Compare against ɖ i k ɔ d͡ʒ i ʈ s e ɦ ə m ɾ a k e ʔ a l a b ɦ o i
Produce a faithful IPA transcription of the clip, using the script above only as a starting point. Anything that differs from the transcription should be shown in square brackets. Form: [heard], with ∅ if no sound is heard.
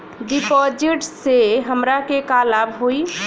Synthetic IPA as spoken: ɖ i [p] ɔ d͡ʒ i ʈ s e ɦ ə m ɾ a k e [k] a l a b ɦ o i